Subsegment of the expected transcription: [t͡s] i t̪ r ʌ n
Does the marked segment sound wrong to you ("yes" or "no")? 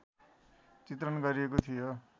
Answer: no